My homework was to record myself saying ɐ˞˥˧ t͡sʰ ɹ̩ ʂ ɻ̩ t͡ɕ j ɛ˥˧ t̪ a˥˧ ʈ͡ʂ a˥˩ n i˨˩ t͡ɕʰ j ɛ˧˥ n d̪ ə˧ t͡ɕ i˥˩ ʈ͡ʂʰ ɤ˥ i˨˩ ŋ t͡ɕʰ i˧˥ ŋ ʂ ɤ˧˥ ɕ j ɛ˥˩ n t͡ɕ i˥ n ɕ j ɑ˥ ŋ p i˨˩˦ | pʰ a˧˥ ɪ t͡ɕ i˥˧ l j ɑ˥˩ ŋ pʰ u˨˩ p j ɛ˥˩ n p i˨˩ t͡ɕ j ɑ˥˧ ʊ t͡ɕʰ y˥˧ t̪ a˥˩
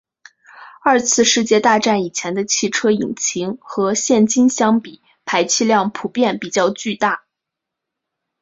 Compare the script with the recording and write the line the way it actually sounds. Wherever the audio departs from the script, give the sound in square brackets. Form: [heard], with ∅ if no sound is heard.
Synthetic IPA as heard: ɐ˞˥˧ t͡sʰ ɹ̩ ʂ ɻ̩ t͡ɕ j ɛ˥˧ t̪ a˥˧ ʈ͡ʂ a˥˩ n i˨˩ t͡ɕʰ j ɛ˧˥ n d̪ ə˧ [t͡ɕʰ] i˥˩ ʈ͡ʂʰ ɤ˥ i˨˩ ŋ t͡ɕʰ i˧˥ ŋ [x] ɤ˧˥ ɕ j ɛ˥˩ n t͡ɕ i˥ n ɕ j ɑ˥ ŋ p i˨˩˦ | pʰ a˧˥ ɪ [t͡ɕʰ] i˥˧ l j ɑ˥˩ ŋ pʰ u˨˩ p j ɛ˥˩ n p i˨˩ t͡ɕ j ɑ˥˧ ʊ [t͡ɕ] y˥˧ t̪ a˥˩